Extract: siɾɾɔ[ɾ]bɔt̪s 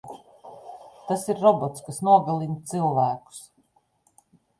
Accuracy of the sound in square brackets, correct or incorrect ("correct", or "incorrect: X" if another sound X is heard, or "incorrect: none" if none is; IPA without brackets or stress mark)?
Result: incorrect: none